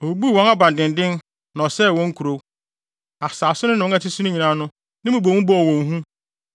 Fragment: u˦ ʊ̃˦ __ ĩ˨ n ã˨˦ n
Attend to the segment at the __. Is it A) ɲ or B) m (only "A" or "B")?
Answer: A